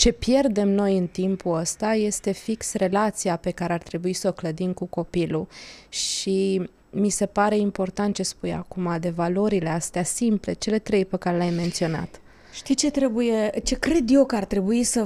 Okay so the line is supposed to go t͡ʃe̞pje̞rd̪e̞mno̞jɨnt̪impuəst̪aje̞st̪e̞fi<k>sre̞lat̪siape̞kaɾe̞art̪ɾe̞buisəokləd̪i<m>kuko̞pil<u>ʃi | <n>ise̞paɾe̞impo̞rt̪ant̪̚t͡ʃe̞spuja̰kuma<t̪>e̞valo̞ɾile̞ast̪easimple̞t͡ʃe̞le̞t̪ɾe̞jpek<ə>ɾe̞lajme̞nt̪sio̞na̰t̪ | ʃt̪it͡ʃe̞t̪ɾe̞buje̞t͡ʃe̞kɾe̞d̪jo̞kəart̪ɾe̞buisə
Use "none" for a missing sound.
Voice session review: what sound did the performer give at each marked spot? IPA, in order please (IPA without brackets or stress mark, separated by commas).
k, m, u, m, d̪, a